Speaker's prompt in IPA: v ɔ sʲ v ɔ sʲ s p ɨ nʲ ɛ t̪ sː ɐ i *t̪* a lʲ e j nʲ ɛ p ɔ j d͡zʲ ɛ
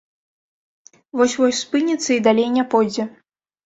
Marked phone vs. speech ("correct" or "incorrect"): incorrect